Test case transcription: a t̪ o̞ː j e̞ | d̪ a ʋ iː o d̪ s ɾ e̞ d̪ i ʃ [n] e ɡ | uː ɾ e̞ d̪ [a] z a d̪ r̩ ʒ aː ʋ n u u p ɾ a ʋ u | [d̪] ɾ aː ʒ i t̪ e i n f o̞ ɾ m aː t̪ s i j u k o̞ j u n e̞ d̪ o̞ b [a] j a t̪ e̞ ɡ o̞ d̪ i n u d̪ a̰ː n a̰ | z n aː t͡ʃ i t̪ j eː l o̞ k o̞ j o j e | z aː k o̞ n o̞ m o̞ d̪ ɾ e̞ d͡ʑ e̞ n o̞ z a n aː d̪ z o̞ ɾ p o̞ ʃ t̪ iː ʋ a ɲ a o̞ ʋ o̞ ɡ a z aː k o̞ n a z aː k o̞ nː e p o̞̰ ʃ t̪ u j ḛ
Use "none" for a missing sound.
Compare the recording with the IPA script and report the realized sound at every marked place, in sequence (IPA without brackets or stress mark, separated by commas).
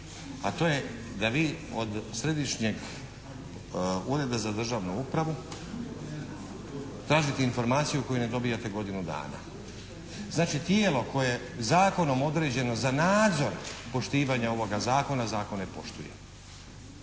ɲ, a, t̪, i